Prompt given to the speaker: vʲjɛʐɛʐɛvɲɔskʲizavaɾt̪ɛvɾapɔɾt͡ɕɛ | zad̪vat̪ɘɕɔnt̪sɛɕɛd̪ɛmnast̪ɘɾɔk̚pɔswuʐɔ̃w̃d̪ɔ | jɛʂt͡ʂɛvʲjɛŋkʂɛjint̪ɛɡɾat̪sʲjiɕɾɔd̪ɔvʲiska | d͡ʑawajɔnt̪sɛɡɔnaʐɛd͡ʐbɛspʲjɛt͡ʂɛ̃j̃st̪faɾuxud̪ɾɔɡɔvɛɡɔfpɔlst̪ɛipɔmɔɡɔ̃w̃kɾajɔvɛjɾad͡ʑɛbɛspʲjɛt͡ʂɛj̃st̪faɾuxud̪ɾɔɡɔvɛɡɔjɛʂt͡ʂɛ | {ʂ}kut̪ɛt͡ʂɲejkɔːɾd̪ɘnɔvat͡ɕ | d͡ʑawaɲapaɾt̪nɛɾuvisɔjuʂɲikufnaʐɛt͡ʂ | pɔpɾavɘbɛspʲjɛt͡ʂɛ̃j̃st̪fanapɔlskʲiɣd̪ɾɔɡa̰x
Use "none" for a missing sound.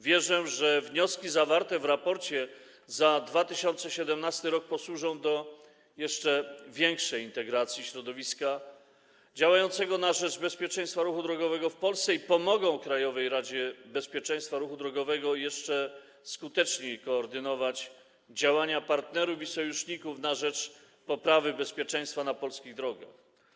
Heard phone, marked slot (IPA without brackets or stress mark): s